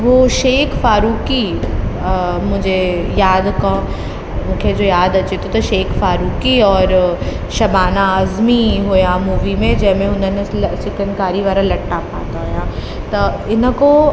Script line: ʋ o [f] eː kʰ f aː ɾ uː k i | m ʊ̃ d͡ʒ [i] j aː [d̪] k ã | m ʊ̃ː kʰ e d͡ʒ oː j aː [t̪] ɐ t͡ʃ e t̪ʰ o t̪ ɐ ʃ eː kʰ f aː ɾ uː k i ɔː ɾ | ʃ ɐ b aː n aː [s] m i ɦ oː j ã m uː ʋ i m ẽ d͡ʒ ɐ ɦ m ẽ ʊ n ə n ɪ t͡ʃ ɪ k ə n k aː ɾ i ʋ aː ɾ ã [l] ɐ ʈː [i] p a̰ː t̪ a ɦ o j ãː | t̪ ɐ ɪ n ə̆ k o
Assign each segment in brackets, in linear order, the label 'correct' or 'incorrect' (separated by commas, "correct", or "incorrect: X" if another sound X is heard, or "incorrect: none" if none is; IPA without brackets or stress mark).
incorrect: ʃ, incorrect: e, correct, incorrect: d̪, incorrect: z, correct, incorrect: a